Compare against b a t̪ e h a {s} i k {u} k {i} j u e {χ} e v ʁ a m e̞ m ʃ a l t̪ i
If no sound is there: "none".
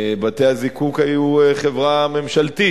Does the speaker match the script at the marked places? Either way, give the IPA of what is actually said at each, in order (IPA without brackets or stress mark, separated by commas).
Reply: z, u, a, χ